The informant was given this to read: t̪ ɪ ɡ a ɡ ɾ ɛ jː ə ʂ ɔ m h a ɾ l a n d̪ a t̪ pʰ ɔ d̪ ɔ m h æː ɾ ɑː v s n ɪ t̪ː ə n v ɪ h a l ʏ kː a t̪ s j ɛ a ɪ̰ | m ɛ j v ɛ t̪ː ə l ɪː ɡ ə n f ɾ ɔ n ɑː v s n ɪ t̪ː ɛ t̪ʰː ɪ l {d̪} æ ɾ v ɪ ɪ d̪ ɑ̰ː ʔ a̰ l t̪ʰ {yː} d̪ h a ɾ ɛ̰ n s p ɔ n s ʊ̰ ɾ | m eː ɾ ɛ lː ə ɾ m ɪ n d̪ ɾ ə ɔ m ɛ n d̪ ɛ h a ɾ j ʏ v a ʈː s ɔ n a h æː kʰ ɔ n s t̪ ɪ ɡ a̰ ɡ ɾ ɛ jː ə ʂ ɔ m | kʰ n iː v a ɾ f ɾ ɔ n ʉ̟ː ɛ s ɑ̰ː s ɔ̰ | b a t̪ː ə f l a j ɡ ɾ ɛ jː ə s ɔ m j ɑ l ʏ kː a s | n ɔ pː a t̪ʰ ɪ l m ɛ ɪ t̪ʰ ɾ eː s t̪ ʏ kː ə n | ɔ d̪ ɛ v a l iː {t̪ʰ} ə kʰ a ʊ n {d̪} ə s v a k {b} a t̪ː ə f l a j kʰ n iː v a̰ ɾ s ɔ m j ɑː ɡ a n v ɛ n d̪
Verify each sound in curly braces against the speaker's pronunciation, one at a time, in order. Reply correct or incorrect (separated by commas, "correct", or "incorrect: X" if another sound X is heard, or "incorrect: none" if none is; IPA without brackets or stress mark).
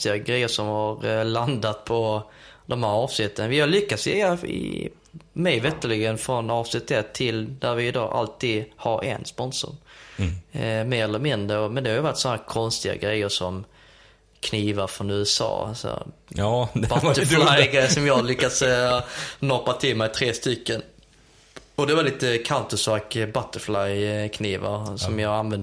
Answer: correct, incorrect: iː, incorrect: t̪, incorrect: t̪, correct